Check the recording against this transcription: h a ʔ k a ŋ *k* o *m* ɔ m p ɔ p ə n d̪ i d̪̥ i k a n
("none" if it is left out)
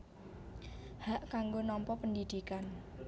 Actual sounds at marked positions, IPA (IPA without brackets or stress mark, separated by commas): ɡ, n